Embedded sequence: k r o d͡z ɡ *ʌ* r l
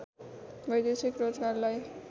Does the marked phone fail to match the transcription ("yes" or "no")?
yes